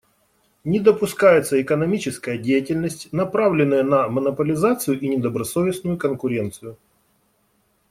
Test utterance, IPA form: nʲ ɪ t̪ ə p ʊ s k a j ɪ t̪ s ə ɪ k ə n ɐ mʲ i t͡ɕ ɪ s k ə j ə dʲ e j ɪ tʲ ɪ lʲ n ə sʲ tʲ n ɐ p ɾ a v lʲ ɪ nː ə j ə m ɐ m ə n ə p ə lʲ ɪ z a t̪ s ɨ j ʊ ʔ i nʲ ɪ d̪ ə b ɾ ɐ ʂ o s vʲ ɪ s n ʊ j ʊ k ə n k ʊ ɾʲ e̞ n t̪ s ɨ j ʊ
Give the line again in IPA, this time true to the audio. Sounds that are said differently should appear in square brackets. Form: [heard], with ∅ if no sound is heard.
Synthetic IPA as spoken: nʲ ɪ [d̪] ə p ʊ s k a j ɪ t̪ s ə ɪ k ə n ɐ mʲ i t͡ɕ ɪ s k ə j ə dʲ e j ɪ tʲ ɪ lʲ n ə sʲ tʲ n ɐ p ɾ a v lʲ ɪ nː ə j ə [n] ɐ m ə n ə p ə lʲ ɪ z a t̪ s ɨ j ʊ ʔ i nʲ ɪ d̪ ə b ɾ ɐ [s] o [∅] vʲ ɪ s n ʊ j ʊ k ə n k ʊ ɾʲ e̞ n t̪ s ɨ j ʊ